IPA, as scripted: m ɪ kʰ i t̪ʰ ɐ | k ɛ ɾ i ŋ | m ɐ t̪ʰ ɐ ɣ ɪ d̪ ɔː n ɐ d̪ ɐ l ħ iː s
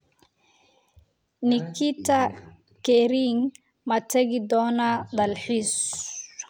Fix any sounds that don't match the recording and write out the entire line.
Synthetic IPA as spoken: n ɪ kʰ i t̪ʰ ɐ | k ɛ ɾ i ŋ | m ɐ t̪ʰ ɐ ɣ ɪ d̪ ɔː n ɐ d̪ ɐ l ħ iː s